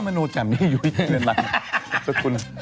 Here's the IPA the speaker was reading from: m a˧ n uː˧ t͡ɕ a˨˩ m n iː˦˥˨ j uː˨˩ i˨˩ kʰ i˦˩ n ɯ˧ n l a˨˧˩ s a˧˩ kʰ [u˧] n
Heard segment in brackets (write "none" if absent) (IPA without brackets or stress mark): u˧